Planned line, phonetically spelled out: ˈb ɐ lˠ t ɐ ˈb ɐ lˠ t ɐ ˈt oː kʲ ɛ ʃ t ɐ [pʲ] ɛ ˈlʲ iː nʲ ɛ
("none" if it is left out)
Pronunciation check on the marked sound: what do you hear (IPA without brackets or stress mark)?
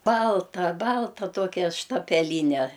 pʲ